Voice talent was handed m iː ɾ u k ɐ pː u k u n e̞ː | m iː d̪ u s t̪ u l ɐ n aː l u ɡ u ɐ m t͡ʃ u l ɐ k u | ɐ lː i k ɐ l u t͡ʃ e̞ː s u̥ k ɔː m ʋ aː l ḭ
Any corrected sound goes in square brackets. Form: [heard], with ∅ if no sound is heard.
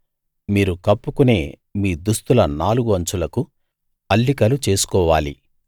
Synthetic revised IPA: m iː ɾ u k ɐ pː u k u n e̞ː | m iː d̪ u s t̪ u l ɐ n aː l u ɡ u ɐ [ɲ] t͡ʃ u l ɐ k u | ɐ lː i k ɐ l u t͡ʃ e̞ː s u̥ k ɔː [∅] ʋ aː l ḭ